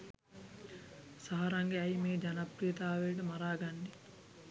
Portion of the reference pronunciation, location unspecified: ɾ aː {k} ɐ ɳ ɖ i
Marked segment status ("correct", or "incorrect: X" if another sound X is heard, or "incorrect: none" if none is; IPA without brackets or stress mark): incorrect: ɡ